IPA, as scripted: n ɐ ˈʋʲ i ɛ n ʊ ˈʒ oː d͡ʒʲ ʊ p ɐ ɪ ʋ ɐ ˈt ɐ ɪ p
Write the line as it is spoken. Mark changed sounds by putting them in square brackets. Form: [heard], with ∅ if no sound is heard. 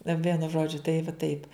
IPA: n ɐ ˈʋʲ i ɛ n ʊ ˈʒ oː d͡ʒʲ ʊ [t] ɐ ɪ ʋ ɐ ˈt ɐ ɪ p

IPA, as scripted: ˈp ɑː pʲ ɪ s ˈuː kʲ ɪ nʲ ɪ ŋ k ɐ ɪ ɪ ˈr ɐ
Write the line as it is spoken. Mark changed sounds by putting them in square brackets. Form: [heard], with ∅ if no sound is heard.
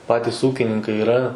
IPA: ˈp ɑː [tʲ] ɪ s ˈuː kʲ ɪ nʲ ɪ ŋ k ɐ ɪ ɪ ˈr ɐ

